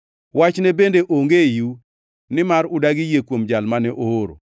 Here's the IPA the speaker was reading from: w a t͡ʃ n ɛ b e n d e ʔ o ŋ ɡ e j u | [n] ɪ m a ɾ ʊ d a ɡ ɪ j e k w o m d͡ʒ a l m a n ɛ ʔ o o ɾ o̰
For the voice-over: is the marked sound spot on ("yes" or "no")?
yes